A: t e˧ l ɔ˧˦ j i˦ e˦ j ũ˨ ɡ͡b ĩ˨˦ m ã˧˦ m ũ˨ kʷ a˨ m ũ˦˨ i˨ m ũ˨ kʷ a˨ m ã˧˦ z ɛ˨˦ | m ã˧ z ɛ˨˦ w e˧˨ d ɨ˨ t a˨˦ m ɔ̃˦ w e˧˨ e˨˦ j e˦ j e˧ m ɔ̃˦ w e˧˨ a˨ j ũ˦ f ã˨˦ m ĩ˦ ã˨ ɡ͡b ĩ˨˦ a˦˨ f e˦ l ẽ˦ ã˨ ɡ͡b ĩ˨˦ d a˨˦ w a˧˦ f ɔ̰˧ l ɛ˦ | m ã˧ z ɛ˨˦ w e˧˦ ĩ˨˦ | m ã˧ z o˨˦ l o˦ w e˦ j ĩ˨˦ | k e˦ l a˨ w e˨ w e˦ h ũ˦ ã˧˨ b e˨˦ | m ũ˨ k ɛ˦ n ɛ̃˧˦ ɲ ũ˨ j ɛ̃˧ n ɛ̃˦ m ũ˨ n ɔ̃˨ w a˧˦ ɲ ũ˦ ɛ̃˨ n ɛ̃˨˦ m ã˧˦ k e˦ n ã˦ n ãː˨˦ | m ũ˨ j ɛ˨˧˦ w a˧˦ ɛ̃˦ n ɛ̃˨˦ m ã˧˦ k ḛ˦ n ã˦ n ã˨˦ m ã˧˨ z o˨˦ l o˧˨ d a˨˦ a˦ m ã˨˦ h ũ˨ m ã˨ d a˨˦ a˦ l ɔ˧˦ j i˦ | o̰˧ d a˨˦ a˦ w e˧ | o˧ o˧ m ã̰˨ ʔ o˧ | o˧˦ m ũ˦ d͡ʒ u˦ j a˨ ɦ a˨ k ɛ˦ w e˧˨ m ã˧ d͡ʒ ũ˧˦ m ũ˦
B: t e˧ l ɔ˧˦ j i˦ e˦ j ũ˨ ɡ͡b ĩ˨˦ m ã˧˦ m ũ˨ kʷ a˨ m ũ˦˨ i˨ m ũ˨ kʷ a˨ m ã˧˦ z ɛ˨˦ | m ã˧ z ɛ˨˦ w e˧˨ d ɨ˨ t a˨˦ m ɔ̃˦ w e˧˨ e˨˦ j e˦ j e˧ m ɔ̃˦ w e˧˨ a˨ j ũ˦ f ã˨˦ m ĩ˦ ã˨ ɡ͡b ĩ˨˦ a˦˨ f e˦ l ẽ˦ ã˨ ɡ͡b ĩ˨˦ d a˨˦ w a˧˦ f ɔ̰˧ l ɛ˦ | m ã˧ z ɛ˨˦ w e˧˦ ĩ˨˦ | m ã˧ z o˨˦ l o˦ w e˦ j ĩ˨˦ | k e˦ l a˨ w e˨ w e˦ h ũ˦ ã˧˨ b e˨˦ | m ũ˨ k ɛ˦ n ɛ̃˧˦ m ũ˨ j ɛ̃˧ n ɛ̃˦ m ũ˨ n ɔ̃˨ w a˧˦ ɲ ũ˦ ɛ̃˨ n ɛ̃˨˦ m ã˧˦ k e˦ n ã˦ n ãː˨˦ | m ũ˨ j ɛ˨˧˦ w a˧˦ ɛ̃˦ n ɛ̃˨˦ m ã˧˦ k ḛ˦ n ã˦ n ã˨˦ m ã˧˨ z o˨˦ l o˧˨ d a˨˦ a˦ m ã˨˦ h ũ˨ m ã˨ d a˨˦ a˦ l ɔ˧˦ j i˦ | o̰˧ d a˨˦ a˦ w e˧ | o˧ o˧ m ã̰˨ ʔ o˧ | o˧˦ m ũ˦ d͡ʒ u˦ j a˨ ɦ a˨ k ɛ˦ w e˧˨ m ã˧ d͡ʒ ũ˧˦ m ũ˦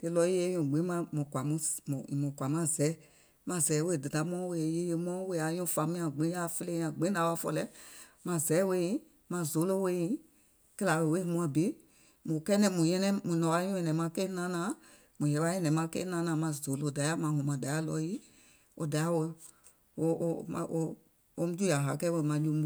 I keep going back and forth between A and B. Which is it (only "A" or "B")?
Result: B